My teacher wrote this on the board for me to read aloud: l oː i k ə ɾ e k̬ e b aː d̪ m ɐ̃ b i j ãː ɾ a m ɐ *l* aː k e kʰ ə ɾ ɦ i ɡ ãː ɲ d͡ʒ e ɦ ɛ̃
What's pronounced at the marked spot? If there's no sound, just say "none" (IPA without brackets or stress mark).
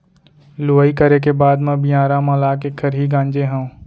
l